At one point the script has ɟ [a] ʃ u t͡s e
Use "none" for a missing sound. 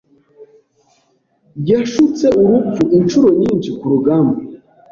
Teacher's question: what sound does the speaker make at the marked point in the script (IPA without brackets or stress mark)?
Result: a